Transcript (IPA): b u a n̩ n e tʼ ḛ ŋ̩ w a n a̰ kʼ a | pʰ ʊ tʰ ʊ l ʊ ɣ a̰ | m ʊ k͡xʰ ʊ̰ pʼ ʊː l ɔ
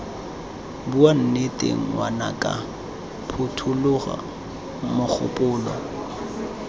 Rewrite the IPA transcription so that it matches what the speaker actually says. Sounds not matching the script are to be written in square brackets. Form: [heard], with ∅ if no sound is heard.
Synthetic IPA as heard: b u a n̩ n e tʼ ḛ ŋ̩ w a n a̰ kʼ a | pʰ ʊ tʰ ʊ l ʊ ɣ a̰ | m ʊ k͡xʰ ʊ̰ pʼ ʊː l ɔ